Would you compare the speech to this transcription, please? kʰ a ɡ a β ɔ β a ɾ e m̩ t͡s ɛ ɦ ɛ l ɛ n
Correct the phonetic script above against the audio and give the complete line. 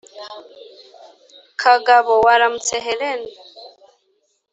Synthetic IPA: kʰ a ɡ a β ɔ w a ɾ a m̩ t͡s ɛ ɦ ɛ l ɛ n